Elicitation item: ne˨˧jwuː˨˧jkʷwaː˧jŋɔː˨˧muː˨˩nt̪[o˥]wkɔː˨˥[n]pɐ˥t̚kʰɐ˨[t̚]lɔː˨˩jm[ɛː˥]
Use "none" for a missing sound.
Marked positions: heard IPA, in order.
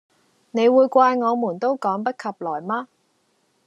o˥, ŋ, p̚, aː˥

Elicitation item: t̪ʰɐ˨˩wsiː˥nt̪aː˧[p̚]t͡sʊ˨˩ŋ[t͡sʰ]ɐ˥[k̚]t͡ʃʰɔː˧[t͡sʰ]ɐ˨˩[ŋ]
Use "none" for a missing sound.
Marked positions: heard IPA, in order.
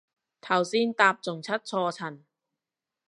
p̚, t͡sʰ, t̚, t͡sʰ, n

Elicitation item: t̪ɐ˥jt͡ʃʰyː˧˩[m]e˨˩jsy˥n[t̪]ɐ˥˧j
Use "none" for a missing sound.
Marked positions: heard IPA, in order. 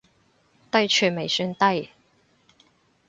m, t̪

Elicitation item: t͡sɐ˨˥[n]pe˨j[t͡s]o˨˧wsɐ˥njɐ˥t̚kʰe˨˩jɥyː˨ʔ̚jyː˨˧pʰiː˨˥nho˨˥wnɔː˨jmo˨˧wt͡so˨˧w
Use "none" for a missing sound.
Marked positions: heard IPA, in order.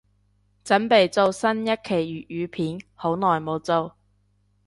n, t͡s

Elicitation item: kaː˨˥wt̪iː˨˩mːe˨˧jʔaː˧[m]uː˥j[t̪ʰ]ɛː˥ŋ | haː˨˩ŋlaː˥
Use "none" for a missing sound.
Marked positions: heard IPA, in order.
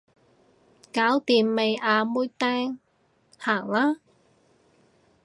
m, t̪

